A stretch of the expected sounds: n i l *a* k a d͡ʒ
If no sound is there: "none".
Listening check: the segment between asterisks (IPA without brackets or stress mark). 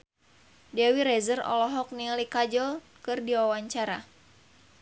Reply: i